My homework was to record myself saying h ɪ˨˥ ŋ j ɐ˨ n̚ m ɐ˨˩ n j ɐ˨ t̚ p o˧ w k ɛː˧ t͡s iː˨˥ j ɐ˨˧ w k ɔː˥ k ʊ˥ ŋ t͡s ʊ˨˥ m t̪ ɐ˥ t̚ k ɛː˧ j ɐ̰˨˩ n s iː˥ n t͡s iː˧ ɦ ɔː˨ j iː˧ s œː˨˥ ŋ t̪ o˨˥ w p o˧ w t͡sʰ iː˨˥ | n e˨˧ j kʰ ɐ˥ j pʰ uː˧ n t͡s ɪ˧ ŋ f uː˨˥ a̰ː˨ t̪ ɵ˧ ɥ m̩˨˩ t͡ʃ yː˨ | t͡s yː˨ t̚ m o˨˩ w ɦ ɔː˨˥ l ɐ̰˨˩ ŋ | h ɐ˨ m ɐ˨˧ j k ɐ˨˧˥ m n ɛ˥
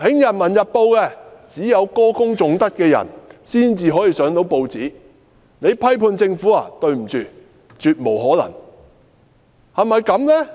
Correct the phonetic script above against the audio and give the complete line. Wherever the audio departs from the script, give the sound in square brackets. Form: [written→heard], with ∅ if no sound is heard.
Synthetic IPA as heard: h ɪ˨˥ ŋ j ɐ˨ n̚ m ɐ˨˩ n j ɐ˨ t̚ p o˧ w k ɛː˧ t͡s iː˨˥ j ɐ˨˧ w k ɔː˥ k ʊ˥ ŋ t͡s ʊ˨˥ [m→ŋ] t̪ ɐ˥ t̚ k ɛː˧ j ɐ̰˨˩ n s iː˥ n t͡s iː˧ ɦ [ɔː˨→ɔː˨˥] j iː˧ s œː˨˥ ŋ t̪ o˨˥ w p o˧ w [t͡sʰ→t͡s] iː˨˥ | n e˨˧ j [kʰ→pʰ] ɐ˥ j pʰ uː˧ n t͡s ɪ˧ ŋ f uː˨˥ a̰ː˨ t̪ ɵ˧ ɥ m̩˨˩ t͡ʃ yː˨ | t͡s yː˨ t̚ m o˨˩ w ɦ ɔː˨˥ l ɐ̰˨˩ ŋ | h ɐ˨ m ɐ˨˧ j k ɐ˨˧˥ m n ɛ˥